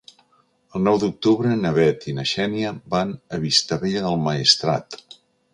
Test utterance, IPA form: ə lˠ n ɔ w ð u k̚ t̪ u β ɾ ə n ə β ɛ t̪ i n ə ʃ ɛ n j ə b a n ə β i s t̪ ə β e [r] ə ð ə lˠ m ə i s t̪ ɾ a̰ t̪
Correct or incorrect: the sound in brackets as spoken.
incorrect: ʎ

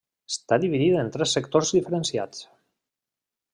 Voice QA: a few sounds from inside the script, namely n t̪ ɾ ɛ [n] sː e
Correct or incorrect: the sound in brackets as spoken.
incorrect: none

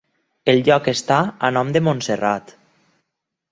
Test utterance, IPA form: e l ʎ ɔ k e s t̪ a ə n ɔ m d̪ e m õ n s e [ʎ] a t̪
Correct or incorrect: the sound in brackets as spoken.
incorrect: r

